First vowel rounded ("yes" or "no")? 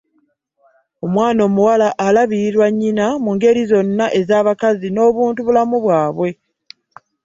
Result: yes